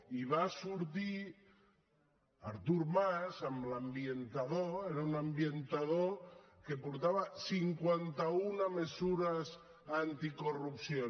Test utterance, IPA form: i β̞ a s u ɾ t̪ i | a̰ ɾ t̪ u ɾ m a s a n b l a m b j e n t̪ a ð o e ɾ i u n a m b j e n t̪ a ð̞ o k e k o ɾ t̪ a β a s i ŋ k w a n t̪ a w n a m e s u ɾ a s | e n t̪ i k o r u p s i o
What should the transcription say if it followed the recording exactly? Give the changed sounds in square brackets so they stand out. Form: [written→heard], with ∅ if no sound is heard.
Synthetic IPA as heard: i β̞ a s u ɾ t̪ i | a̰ ɾ t̪ u ɾ m a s a [n→m] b l a m b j e n t̪ a ð o e ɾ [i→a] u n a m b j e n t̪ a ð̞ o k e [k→p] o ɾ t̪ a β a s i ŋ k w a n t̪ a [w→u] n a m e s u ɾ a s | [e→a] n t̪ i k o r u p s [i→j] o